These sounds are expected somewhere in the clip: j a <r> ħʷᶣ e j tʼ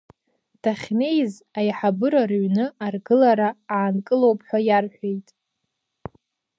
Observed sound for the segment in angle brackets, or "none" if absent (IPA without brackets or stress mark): r